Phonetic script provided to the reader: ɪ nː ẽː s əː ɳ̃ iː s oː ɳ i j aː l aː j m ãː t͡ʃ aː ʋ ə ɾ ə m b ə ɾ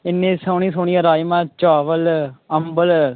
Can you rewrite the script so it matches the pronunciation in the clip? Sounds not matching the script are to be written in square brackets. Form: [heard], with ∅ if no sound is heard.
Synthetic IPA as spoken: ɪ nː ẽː s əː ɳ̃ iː s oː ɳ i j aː [ɾ] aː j m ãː t͡ʃ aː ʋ ə [l] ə m b ə [l]